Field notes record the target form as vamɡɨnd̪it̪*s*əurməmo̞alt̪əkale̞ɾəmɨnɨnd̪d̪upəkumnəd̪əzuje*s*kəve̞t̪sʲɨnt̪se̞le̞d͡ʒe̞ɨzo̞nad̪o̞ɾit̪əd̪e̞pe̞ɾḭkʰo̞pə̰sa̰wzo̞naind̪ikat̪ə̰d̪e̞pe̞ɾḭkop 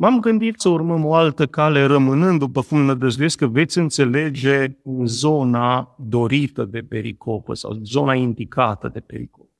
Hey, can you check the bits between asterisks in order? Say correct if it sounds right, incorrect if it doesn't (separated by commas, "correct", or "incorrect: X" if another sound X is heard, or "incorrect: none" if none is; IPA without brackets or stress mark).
correct, correct